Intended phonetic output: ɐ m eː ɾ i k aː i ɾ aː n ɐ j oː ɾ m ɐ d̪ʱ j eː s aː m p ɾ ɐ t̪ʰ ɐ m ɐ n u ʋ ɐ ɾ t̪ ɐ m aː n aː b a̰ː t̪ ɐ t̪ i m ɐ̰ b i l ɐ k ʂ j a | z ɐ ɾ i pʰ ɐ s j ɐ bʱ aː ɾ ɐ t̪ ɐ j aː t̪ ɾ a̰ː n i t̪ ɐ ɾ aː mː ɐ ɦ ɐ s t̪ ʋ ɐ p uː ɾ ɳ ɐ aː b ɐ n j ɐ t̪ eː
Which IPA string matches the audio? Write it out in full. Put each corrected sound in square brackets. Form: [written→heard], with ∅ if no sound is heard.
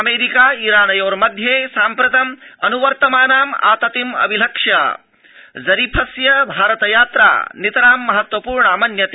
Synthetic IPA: ɐ m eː ɾ i k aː i ɾ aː n ɐ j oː ɾ m ɐ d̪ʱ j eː s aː m p ɾ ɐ [t̪ʰ→t̪] ɐ m ɐ n u ʋ ɐ ɾ t̪ ɐ m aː n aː [b→m] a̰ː t̪ ɐ t̪ i m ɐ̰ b i l ɐ k ʂ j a | z ɐ ɾ i pʰ ɐ s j ɐ bʱ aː ɾ ɐ t̪ ɐ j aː t̪ ɾ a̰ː n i t̪ ɐ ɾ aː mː ɐ ɦ ɐ [s→∅] t̪ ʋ ɐ p uː ɾ ɳ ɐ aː [b→m] ɐ n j ɐ t̪ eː